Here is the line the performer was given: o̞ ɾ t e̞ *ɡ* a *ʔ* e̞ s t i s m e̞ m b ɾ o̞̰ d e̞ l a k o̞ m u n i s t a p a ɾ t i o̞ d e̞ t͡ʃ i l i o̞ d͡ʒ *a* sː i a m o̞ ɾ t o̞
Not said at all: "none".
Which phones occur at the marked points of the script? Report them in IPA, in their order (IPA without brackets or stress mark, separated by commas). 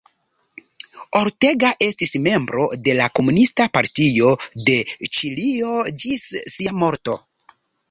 ɡ, ʔ, i